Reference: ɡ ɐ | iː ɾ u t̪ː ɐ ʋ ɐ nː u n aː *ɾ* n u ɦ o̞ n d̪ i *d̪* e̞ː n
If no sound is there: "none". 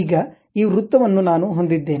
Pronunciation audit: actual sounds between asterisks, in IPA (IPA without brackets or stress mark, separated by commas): none, d̪ː